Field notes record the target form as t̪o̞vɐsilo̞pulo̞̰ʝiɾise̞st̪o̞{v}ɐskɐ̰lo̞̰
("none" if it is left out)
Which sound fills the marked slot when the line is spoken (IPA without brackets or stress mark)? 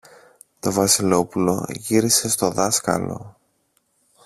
ð